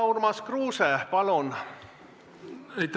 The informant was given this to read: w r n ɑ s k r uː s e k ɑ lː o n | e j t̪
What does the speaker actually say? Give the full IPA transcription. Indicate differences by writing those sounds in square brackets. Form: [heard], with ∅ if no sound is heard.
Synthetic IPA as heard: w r [m] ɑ s k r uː s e [p] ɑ [l] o n | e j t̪